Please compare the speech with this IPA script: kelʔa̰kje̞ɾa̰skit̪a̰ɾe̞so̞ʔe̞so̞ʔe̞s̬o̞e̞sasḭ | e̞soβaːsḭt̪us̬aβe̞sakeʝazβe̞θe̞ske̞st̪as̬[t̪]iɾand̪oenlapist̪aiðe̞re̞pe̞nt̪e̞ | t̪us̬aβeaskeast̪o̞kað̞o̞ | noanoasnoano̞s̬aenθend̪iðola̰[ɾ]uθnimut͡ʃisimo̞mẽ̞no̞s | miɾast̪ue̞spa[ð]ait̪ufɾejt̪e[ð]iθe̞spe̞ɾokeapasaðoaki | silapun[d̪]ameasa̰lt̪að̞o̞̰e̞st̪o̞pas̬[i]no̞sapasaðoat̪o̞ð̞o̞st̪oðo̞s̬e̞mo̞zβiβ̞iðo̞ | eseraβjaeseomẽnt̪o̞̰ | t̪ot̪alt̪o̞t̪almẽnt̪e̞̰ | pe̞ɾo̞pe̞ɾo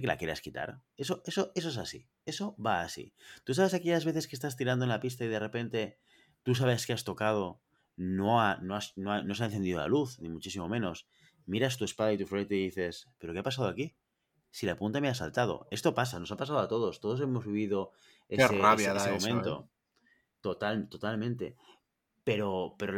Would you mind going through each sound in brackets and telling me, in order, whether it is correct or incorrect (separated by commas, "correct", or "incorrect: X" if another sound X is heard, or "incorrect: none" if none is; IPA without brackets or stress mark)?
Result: correct, incorrect: l, correct, correct, incorrect: t̪, incorrect: a